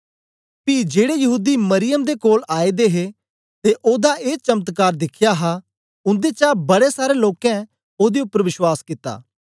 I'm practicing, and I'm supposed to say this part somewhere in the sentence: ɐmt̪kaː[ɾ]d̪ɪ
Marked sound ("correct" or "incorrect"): correct